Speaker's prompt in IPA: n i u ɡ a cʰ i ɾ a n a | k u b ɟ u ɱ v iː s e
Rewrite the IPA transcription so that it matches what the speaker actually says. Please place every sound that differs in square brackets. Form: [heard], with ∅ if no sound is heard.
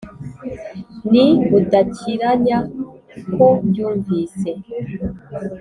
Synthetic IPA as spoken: n i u [d] a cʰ i ɾ a [ɲ] a | k [o] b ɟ [uː] ɱ v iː s e